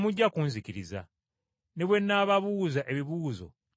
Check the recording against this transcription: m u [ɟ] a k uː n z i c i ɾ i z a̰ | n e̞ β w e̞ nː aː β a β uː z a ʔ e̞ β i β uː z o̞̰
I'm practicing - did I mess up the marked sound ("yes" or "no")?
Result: yes